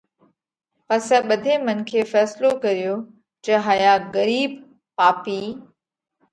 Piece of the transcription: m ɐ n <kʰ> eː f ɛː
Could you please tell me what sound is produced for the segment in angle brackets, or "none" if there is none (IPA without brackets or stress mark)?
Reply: kʰ